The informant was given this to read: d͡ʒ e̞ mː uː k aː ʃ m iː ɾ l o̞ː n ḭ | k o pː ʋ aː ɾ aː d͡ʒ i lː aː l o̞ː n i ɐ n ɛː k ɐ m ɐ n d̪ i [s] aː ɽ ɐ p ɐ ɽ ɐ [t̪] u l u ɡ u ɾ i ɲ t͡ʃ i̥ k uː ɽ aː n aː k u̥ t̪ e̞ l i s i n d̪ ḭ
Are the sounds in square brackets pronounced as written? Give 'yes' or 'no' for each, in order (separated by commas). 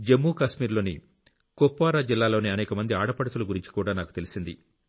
no, yes